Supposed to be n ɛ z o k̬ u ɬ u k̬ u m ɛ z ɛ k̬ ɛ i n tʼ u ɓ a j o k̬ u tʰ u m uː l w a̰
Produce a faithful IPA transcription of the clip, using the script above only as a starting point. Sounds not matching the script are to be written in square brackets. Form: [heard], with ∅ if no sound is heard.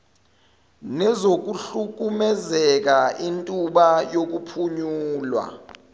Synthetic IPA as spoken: n ɛ z o k̬ u ɬ u k̬ u m ɛ z ɛ k̬ [a] i n tʼ u ɓ a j o k̬ u [pʰ] u [ɲ] uː l w a̰

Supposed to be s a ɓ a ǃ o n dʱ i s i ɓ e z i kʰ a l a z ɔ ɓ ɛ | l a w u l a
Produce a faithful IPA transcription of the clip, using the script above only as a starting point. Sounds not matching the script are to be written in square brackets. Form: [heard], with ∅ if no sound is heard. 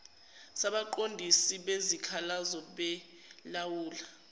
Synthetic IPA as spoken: s a ɓ a ǃ o n dʱ i s i ɓ e z i kʰ a l a z ɔ ɓ ɛ | l a w [uː] l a

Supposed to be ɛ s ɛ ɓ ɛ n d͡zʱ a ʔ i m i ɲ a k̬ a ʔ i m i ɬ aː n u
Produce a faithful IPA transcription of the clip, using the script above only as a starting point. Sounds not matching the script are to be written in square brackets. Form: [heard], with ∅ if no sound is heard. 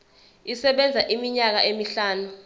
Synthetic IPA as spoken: [i] s ɛ ɓ ɛ n d͡zʱ a ʔ i m i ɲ a k̬ a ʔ [e] m i ɬ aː n u

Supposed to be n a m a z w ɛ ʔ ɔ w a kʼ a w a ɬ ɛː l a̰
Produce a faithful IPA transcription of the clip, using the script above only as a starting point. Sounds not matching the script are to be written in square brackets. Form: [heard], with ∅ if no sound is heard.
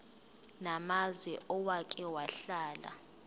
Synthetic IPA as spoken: n a m a z w ɛ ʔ ɔ w a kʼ [ɛ] w a ɬ [aː] l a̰

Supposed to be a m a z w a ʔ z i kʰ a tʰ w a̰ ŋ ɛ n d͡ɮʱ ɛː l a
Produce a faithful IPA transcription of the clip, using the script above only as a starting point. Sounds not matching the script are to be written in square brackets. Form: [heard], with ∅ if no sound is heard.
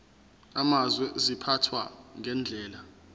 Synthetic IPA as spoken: a m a z w [ɛ] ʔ z i [pʰ] a tʰ w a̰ ŋ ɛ n d͡ɮʱ ɛː l a

